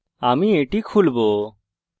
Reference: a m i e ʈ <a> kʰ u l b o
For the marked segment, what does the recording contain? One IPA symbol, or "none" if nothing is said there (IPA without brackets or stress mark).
i